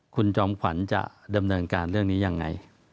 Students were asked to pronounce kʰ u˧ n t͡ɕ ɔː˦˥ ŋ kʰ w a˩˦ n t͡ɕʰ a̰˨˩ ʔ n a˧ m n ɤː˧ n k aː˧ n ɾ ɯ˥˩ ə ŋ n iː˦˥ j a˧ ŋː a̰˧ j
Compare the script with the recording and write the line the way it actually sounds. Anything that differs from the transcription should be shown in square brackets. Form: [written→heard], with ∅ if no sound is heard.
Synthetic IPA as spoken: kʰ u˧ n t͡ɕ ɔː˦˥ [ŋ→m] kʰ w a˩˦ n [t͡ɕʰ→t͡ɕ] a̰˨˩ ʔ [n→d] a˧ m n ɤː˧ n k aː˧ n ɾ ɯ˥˩ ə ŋ n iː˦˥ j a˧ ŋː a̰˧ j